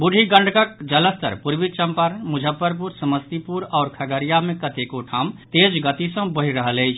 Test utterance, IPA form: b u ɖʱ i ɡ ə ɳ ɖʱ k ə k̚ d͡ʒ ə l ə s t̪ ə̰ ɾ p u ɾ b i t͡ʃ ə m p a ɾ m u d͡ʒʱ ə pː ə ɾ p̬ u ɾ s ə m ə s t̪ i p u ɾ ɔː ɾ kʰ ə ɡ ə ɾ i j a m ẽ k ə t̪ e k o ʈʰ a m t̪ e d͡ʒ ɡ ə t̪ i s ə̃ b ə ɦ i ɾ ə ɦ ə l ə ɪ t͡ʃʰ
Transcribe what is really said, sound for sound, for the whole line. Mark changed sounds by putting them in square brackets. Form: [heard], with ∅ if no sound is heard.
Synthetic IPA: b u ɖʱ i ɡ ə ɳ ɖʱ k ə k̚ d͡ʒ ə l ə s t̪ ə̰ ɾ p u ɾ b i t͡ʃ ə m p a ɾ m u d͡ʒʱ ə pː ə ɾ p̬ u ɾ s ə m ə s t̪ i p u ɾ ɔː ɾ kʰ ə ɡ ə ɾ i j a m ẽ k ə t̪ e k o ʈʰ a m t̪ e d͡ʒ ɡ ə t̪ i s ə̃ b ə ɦ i ɾ ə ɦ ə l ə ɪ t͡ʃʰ